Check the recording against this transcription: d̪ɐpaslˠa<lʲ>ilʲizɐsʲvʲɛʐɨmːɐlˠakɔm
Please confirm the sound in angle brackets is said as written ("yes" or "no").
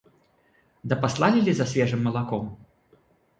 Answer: yes